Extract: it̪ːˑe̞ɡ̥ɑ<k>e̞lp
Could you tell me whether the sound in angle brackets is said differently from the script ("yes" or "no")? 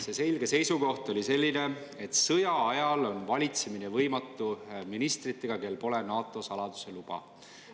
no